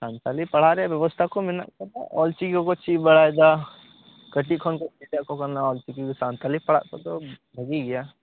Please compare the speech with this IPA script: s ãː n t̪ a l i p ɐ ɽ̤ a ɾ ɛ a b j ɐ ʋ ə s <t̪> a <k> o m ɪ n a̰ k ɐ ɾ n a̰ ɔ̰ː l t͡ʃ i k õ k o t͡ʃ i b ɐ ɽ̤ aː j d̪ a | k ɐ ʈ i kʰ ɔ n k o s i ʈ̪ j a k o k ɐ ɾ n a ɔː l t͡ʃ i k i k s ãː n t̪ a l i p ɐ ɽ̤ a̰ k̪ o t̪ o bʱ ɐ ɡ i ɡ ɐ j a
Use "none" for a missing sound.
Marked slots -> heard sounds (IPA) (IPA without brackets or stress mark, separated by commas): t̪ʰ, k